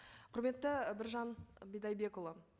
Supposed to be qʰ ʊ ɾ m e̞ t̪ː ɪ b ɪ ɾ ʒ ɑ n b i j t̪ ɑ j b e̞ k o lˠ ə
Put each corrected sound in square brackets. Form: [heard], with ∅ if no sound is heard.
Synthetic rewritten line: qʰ ʊ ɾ m e̞ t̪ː ɪ b ɪ ɾ ʒ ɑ n b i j [d̪] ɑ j b e̞ k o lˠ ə

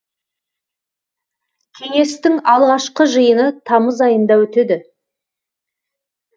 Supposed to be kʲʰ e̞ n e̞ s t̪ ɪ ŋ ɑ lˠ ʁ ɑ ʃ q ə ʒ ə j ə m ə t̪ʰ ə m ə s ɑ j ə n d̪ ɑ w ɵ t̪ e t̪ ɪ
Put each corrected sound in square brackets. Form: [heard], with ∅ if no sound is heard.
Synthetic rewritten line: kʲʰ e̞ [ŋ] e̞ s t̪ ɪ ŋ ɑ lˠ ʁ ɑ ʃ q ə ʒ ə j ə [n] ə t̪ʰ [ɑ] m ə [z] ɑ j ə n d̪ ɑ w ɵ t̪ e [d̪] ɪ

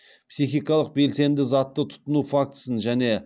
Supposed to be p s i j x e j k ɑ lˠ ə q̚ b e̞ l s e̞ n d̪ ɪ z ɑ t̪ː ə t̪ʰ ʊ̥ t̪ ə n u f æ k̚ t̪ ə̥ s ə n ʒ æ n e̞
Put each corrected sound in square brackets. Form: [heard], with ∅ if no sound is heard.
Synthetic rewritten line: p s i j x [i] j k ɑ lˠ ə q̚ b e̞ l s e̞ n d̪ ɪ z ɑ t̪ː ə t̪ʰ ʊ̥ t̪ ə n u f [a] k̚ t̪ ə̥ s ə n ʒ æ n e̞

